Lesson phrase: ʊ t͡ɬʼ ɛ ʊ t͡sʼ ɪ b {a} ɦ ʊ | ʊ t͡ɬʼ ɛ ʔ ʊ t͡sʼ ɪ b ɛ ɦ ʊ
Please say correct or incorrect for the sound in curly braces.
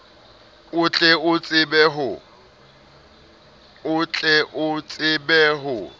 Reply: incorrect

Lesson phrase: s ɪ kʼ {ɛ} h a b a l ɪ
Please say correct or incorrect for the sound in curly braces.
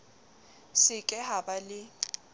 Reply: correct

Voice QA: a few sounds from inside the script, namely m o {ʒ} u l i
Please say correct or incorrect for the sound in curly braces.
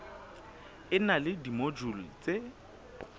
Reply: incorrect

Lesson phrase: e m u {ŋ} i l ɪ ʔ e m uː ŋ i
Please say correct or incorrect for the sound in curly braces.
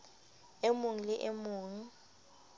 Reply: correct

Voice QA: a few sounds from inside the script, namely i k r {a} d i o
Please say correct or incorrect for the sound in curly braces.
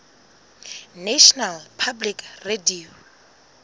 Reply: incorrect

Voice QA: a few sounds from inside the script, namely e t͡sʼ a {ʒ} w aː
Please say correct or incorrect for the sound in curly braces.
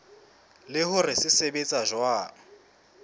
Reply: correct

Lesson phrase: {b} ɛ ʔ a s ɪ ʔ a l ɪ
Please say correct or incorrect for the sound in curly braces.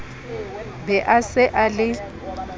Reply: correct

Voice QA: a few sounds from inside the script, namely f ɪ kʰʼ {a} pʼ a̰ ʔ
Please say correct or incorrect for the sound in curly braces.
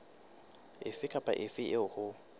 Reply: correct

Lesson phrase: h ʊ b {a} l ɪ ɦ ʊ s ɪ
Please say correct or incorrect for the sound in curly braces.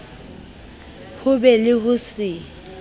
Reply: incorrect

